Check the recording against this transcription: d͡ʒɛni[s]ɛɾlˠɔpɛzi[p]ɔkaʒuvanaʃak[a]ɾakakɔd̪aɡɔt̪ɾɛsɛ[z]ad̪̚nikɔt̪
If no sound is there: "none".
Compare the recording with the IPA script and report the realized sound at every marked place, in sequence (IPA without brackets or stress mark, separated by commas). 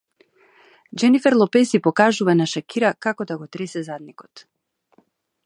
f, p, i, z